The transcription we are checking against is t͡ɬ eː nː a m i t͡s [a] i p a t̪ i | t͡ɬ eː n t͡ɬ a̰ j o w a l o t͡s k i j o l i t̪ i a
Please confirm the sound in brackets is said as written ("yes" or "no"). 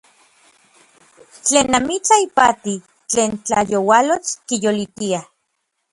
yes